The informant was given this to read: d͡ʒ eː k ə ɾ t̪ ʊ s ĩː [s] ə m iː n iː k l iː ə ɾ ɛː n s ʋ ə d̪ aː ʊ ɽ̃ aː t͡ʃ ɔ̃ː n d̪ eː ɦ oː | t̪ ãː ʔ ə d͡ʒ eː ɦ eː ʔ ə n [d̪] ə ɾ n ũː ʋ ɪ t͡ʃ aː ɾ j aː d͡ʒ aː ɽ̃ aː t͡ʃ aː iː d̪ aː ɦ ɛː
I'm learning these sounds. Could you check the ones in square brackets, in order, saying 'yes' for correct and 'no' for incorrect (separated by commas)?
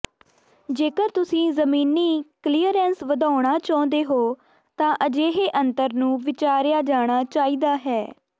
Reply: no, no